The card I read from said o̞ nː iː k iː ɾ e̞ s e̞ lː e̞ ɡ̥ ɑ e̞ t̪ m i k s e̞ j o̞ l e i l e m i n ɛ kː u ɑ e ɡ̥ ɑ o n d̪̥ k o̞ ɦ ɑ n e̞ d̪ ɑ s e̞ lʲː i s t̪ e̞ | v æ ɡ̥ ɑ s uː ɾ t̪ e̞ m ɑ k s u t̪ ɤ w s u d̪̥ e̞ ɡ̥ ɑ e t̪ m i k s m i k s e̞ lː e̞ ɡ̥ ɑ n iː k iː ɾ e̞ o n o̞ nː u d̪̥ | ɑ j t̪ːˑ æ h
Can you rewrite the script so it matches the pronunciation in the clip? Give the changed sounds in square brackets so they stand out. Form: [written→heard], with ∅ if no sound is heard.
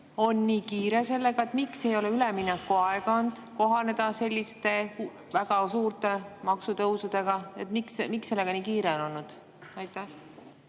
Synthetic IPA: o̞ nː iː k iː ɾ e̞ s e̞ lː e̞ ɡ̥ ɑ e̞ t̪ m i k s e̞ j o̞ l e [i→y] l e m i n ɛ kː u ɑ e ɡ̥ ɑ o n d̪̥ k o̞ ɦ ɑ n e̞ d̪ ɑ s e̞ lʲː i s t̪ e̞ | v æ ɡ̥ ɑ s uː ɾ t̪ e̞ m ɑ k s u t̪ ɤ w s u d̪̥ e̞ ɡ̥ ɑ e t̪ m i k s m i k s e̞ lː e̞ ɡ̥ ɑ n iː k iː ɾ e̞ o n o̞ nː u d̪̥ | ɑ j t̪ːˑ æ h